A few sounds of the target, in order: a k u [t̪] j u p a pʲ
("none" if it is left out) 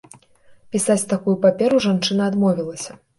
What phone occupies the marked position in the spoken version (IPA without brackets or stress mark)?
none